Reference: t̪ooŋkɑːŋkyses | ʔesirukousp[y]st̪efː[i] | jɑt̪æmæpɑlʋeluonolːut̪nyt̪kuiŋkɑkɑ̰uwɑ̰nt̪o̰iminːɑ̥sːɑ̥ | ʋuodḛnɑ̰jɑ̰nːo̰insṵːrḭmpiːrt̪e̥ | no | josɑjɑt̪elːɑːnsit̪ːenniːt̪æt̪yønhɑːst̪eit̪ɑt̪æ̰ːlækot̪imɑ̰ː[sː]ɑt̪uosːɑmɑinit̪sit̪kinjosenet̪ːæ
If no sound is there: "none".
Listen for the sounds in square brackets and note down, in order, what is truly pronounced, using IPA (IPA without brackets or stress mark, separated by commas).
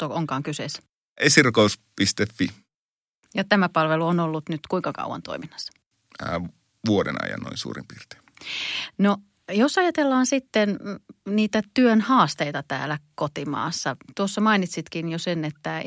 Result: i, i, sː